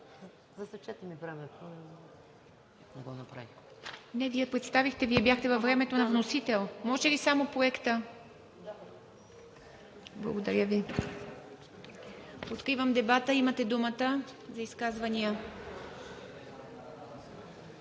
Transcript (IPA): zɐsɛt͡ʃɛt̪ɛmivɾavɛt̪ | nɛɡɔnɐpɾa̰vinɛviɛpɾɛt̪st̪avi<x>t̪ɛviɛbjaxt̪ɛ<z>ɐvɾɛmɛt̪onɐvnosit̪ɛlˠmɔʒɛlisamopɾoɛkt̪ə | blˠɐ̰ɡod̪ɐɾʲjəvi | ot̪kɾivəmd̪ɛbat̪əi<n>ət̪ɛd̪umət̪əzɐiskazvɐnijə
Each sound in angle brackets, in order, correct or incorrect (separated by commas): correct, incorrect, incorrect